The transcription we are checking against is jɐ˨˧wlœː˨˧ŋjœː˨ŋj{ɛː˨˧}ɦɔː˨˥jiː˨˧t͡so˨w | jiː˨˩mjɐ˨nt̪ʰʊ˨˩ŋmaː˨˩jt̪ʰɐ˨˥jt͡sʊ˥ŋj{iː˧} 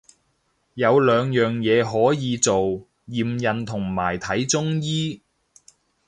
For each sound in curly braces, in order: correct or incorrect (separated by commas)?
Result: correct, incorrect